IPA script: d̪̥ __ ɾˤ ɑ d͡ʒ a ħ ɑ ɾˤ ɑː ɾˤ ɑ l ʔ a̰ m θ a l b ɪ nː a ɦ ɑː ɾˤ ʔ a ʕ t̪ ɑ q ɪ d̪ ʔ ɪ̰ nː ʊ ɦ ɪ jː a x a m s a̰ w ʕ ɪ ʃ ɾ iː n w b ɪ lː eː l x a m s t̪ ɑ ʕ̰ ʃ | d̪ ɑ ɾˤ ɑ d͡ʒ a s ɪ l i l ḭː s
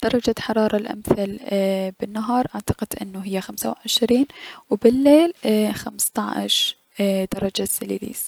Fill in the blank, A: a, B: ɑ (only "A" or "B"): B